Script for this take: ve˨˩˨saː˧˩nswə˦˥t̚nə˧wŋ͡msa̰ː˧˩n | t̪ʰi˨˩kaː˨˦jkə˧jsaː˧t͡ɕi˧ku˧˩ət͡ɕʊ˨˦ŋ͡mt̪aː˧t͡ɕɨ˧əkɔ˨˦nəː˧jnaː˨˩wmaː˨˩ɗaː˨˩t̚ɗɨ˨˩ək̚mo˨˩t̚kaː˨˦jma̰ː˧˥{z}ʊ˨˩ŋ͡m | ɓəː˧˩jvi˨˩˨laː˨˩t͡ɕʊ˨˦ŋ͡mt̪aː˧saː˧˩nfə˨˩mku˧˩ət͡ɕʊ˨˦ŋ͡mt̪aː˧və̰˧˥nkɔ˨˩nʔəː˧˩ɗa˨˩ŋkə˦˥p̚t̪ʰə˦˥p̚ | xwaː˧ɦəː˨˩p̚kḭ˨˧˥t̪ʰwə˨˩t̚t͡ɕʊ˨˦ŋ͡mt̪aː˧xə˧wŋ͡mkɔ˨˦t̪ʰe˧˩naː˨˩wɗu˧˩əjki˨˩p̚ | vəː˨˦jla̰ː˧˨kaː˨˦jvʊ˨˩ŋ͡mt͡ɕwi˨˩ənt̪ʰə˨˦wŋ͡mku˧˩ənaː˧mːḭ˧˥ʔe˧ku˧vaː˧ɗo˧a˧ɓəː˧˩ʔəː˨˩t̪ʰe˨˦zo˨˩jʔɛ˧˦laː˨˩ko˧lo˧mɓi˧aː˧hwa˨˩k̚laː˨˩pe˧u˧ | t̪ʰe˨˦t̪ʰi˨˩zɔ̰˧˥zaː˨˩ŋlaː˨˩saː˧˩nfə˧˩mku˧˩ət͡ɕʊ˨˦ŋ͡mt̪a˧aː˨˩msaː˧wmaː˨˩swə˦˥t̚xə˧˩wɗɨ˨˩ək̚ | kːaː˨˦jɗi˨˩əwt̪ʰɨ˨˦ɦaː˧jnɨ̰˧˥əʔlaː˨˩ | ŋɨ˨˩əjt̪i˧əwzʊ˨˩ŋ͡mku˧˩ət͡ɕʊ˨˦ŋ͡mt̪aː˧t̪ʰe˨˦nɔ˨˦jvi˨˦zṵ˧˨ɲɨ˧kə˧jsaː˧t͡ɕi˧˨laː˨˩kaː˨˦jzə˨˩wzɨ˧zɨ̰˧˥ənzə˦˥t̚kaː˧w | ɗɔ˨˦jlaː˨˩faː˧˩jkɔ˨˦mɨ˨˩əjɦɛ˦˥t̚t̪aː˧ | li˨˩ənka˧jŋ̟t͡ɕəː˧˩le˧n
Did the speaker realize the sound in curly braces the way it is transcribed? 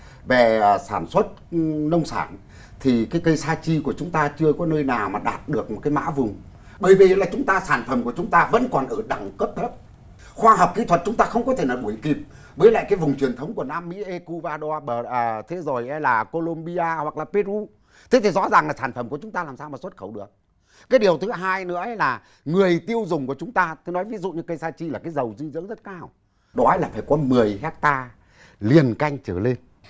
no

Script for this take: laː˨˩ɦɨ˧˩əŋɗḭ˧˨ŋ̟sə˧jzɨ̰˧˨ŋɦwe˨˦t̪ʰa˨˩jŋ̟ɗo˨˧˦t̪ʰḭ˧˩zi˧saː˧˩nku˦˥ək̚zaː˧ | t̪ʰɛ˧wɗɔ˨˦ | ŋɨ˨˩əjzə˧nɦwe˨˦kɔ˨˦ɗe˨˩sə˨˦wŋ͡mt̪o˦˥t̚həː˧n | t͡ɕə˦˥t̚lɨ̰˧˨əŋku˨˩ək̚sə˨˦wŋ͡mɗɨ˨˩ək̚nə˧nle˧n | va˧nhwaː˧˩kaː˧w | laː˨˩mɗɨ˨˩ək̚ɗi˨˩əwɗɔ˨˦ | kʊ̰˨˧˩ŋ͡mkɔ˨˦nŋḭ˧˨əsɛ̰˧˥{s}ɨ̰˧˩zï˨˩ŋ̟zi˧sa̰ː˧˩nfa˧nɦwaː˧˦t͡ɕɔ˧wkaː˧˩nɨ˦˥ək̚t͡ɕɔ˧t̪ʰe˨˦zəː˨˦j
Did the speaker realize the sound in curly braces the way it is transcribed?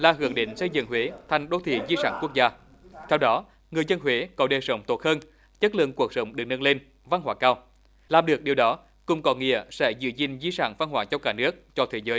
no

